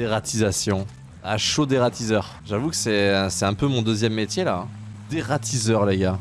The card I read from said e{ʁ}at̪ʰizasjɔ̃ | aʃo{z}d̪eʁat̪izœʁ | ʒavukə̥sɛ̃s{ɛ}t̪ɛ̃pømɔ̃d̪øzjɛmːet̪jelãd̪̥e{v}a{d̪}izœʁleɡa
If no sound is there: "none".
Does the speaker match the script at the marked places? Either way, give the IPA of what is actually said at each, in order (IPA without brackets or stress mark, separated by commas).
ʁ, none, ɛ, ʁ, t̪